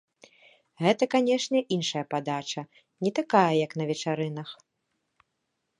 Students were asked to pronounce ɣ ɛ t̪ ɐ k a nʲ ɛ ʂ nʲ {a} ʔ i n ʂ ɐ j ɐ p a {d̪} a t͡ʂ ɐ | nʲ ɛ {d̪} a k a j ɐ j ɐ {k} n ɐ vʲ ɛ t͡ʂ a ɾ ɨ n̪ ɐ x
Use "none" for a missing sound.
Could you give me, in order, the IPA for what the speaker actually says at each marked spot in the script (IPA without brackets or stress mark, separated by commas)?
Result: ɛ, d̪, t̪, k